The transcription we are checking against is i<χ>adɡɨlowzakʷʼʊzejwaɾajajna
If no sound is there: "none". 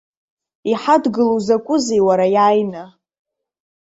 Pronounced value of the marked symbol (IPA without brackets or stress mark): ħ